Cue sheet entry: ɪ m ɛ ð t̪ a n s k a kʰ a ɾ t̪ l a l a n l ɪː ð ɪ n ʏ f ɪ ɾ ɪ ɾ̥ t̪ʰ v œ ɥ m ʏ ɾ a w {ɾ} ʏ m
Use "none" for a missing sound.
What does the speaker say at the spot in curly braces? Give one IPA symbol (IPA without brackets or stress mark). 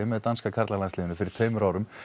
ɾ